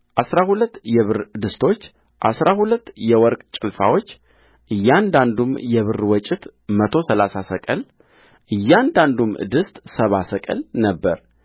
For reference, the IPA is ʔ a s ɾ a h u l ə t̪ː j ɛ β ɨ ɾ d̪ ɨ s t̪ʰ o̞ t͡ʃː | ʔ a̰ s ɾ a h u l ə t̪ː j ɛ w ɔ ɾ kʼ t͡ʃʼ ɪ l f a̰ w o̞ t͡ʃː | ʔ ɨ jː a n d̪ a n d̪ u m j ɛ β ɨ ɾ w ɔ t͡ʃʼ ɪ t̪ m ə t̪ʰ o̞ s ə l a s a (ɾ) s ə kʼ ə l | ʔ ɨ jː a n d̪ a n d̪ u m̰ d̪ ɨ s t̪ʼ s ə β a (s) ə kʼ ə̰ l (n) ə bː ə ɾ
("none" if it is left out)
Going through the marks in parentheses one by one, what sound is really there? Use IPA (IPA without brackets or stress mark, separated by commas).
none, s, n